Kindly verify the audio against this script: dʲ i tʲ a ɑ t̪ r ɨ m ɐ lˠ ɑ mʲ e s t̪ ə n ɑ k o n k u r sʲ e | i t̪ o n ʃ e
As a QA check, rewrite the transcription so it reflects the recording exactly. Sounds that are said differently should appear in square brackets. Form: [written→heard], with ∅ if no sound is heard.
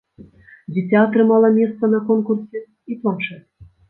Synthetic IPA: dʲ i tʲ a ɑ t̪ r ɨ m [ɐ→ɑ] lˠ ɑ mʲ e s t̪ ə n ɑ k o n k u r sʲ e | i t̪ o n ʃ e